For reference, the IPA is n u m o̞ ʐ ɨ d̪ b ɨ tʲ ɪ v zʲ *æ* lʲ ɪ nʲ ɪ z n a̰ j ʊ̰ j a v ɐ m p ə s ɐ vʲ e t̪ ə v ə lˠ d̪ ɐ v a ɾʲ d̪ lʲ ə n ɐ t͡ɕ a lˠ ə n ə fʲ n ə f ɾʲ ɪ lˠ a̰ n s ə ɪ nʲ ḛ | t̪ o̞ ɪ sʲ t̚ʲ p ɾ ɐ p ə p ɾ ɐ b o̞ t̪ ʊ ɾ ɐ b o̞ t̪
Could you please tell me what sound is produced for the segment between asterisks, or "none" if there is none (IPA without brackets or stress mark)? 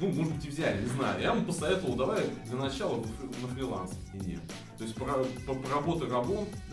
æ